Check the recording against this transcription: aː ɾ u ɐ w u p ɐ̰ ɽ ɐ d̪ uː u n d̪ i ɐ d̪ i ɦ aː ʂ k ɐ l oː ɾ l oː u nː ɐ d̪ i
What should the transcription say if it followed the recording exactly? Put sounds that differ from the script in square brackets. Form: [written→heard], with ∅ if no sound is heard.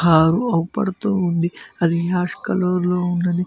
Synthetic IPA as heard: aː ɾ u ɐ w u p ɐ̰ ɽ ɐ [d̪→t̪] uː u n d̪ i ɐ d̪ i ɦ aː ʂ k ɐ l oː ɾ l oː u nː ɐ d̪ i

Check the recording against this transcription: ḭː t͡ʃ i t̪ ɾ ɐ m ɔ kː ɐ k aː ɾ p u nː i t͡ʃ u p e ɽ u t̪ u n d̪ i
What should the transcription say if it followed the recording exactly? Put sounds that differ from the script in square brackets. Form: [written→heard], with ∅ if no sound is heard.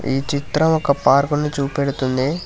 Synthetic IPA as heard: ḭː t͡ʃ i t̪ ɾ ɐ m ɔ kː ɐ [k→p] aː ɾ [p→k] u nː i t͡ʃ [u→uː] p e ɽ u t̪ u n d̪ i

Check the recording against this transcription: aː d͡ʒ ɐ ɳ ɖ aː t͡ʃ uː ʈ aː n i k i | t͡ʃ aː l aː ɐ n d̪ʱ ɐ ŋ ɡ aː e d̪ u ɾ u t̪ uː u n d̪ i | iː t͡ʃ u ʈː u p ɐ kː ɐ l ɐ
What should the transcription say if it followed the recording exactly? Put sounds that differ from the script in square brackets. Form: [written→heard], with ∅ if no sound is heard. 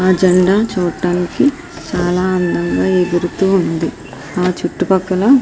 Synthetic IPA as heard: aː d͡ʒ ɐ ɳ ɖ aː t͡ʃ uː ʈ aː n i k i | t͡ʃ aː l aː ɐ n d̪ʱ ɐ ŋ ɡ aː e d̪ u ɾ u t̪ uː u n d̪ i | [iː→aː] t͡ʃ u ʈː u p ɐ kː ɐ l ɐ

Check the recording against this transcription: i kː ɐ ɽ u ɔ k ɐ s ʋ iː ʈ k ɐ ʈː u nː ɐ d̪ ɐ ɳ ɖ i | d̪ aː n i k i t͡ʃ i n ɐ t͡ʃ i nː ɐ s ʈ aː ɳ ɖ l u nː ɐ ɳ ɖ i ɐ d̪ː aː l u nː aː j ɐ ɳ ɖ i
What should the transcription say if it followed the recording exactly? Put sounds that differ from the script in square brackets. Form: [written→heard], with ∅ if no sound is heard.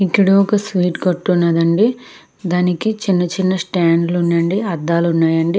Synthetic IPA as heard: i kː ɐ ɽ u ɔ k ɐ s ʋ iː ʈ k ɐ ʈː u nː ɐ d̪ ɐ ɳ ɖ i | d̪ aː n i k i t͡ʃ i [n→nː] ɐ t͡ʃ i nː ɐ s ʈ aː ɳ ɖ l u nː ɐ ɳ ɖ i ɐ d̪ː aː l u nː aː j ɐ ɳ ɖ i

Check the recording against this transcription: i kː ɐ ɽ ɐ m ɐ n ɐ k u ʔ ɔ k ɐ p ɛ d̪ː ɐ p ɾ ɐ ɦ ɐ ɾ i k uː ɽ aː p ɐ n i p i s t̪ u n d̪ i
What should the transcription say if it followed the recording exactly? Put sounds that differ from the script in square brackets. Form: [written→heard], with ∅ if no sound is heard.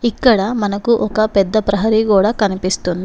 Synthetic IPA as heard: i kː ɐ ɽ ɐ m ɐ n ɐ k u ʔ ɔ k ɐ p ɛ d̪ː ɐ p ɾ ɐ ɦ ɐ ɾ i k uː ɽ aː [p→k] ɐ n i p i s t̪ u n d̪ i

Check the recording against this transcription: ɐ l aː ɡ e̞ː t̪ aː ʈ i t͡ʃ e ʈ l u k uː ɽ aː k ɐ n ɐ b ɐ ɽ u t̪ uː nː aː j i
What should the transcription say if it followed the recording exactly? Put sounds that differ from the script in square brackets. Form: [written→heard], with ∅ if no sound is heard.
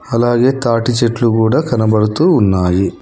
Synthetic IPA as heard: ɐ l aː ɡ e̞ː t̪ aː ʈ i t͡ʃ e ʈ l u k uː ɽ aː k ɐ n ɐ b ɐ ɽ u t̪ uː nː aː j i

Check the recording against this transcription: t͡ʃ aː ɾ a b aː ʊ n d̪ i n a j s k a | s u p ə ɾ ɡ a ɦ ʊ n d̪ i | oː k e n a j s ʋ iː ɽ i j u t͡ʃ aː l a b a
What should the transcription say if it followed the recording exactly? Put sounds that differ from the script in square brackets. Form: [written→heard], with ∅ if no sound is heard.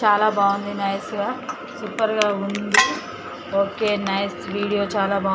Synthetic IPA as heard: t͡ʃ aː [ɾ→l] a b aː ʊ n d̪ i n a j s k a | s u p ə ɾ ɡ a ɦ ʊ n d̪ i | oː k e n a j s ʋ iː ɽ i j [u→o] t͡ʃ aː l a b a

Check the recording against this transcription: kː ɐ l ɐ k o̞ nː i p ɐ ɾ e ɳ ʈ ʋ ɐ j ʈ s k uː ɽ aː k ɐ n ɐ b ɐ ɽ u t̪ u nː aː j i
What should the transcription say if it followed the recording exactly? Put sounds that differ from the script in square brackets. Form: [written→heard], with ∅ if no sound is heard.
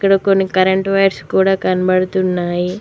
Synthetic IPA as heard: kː ɐ [l→ɽ] ɐ k o̞ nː i [p→k] ɐ ɾ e ɳ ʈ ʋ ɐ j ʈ s k uː ɽ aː k ɐ n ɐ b ɐ ɽ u t̪ u nː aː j i

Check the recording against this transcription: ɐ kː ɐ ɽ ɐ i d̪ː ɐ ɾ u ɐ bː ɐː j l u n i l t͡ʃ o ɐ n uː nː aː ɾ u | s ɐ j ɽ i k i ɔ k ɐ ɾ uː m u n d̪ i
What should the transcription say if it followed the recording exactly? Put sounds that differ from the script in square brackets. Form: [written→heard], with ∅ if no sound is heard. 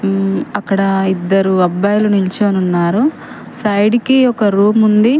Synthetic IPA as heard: ɐ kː ɐ ɽ ɐ i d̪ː ɐ ɾ u ɐ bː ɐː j l u n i l t͡ʃ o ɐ n [uː→u] nː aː ɾ u | s ɐ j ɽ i k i ɔ k ɐ ɾ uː m u n d̪ i

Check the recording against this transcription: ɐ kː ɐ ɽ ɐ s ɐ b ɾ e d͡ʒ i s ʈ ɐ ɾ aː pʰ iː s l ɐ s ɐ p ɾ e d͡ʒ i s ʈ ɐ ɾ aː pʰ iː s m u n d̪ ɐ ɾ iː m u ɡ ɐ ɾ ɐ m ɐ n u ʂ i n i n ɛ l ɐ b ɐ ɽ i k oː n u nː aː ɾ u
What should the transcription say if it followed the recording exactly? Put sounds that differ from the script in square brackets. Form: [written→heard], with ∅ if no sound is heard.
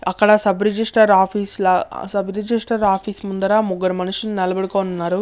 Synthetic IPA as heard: ɐ kː ɐ ɽ ɐ s ɐ b ɾ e d͡ʒ i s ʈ ɐ ɾ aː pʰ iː s l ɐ s ɐ [p→b] ɾ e d͡ʒ i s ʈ ɐ ɾ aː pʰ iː s m u n d̪ ɐ ɾ [iː→aː] m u ɡ ɐ ɾ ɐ m ɐ n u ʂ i n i n ɛ l ɐ b ɐ ɽ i k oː n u nː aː ɾ u

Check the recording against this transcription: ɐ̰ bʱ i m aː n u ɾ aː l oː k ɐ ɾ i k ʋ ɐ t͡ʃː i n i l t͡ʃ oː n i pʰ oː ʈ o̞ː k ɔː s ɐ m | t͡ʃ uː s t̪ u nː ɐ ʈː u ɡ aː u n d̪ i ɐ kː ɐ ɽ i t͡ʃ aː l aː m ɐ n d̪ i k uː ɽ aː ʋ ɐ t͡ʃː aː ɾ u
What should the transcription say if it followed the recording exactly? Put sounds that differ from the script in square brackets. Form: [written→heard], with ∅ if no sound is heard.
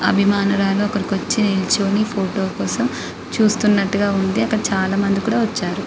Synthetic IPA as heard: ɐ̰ bʱ i m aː n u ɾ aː l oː k ɐ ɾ i k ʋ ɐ t͡ʃː i n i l t͡ʃ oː n i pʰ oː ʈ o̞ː k ɔː s ɐ m | t͡ʃ uː s t̪ u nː ɐ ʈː u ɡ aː u n d̪ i ɐ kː ɐ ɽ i t͡ʃ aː l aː m ɐ n d̪ i k uː ɽ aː ʋ ɐ t͡ʃː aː ɾ u

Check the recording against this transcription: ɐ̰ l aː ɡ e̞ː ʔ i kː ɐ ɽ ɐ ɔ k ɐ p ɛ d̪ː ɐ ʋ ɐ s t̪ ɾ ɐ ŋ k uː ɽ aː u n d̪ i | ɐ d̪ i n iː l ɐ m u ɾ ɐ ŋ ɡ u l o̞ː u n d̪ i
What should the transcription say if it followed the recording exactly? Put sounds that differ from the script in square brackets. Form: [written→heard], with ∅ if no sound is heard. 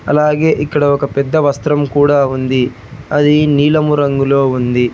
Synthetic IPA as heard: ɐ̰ l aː ɡ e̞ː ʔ i kː ɐ ɽ ɐ ɔ k ɐ p ɛ d̪ː ɐ ʋ ɐ s t̪ ɾ ɐ [ŋ→m] k uː ɽ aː u n d̪ i | ɐ d̪ i n iː l ɐ m u ɾ ɐ ŋ ɡ u l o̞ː u n d̪ i

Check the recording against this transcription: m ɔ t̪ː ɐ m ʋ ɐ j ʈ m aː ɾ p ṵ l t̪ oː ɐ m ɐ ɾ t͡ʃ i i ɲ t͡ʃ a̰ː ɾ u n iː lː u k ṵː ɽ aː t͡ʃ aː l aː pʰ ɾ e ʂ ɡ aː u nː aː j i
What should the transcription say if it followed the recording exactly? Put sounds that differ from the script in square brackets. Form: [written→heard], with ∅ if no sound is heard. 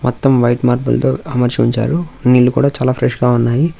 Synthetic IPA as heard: m ɔ t̪ː ɐ m ʋ ɐ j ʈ m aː ɾ p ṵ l t̪ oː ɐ m ɐ ɾ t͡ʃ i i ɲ t͡ʃ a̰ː ɾ u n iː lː u k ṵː ɽ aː t͡ʃ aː l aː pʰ ɾ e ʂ ɡ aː u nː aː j i

